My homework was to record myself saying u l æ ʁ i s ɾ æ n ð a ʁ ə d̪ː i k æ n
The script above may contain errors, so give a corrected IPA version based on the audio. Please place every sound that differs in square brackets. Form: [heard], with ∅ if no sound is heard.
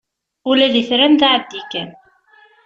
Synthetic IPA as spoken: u l æ [ð] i [θ] ɾ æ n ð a [ʕ] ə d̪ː i k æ n